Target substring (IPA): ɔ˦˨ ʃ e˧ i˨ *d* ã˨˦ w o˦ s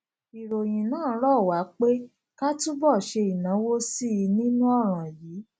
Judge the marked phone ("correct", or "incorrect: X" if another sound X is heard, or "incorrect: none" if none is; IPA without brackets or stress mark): incorrect: n